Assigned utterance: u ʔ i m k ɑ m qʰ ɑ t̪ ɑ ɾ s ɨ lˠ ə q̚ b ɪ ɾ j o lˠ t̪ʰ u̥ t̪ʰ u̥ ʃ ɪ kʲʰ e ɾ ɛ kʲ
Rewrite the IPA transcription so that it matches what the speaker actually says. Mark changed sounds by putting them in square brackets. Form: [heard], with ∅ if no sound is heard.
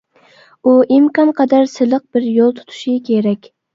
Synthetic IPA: u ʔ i m k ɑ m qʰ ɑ [d̪] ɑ ɾ s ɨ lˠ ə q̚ b ɪ ɾ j o lˠ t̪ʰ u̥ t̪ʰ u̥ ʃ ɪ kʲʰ e ɾ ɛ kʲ

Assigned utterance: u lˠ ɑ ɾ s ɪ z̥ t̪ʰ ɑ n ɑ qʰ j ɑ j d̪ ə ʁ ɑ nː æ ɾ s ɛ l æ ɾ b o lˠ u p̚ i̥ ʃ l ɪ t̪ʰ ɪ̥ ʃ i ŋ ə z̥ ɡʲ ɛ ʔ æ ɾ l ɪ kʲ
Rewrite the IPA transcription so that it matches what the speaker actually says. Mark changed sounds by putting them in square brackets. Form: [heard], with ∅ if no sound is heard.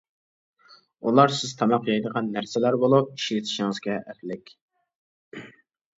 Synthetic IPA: u lˠ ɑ ɾ s ɪ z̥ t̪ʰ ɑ [m] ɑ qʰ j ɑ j d̪ ə ʁ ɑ nː æ ɾ s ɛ l æ ɾ b o lˠ u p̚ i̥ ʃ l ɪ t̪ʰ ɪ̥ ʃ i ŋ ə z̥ ɡʲ ɛ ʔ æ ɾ l ɪ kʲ

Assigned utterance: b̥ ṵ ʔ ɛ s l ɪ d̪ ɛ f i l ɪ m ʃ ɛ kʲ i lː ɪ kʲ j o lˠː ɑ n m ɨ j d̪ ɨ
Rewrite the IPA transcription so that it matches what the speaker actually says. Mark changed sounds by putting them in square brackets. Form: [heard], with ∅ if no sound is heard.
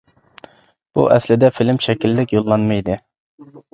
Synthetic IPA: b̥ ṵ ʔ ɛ s l ɪ d̪ ɛ f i l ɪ m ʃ ɛ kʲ i lː ɪ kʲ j o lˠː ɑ n m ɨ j d̪ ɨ

